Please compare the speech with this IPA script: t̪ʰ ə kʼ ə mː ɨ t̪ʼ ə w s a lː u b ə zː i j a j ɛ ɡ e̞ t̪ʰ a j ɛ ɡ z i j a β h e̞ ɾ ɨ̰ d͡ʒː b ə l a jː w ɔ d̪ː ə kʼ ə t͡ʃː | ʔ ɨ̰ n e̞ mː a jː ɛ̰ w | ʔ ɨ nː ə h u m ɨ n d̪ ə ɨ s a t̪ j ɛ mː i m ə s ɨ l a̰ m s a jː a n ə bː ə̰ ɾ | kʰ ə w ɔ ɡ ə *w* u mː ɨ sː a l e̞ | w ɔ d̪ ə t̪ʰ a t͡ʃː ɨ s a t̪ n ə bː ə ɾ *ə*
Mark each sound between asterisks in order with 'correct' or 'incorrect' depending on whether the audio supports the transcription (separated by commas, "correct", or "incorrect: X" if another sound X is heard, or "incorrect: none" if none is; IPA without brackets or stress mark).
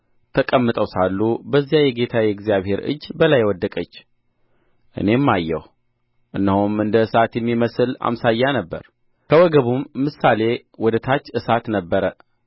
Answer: incorrect: β, correct